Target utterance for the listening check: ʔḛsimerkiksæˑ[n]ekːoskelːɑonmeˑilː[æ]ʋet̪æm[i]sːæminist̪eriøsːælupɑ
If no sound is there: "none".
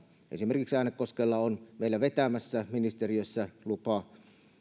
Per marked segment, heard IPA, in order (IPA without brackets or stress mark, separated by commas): n, æ, æ